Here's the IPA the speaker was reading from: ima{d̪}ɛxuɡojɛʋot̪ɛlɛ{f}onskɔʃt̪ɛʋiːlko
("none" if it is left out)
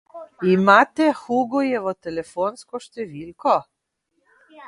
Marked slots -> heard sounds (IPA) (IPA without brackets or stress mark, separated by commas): t̪, f